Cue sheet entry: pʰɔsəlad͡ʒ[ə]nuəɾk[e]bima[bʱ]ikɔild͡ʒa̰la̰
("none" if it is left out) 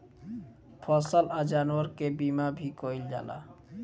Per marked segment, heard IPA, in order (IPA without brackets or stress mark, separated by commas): a, e, bʱ